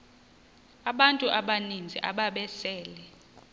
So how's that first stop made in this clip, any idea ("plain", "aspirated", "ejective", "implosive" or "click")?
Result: implosive